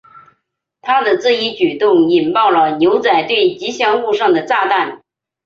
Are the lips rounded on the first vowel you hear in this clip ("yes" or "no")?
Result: no